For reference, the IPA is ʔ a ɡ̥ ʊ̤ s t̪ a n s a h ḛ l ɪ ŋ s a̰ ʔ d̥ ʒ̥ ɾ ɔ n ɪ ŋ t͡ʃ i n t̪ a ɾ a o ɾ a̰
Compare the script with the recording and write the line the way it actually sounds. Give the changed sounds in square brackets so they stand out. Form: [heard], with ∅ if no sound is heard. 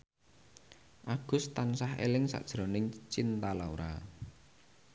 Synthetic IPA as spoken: ʔ a ɡ̥ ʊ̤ s t̪ a n s a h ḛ l ɪ ŋ s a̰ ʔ d̥ ʒ̥ ɾ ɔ n ɪ ŋ t͡ʃ i n t̪ a [l] a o ɾ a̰